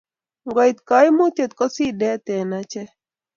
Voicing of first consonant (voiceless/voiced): voiced